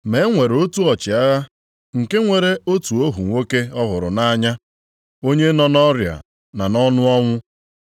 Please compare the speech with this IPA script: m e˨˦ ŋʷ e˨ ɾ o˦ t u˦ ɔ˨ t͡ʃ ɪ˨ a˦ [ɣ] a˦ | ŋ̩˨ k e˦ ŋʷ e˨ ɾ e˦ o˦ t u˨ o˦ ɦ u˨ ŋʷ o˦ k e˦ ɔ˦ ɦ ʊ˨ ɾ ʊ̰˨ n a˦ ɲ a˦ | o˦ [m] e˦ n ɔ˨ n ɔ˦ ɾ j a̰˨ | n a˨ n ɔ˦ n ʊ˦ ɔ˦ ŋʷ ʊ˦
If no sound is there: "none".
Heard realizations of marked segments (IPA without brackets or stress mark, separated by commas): ɣ, ɲ